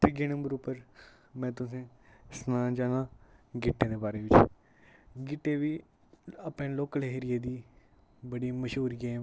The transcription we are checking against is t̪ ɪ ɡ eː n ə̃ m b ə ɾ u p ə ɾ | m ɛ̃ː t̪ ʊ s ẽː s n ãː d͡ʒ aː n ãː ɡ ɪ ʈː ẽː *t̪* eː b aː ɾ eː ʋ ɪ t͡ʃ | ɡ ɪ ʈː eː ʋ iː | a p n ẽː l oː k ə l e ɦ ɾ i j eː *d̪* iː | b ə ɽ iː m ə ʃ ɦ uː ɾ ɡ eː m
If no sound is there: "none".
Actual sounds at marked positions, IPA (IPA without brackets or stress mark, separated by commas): d̪, d̪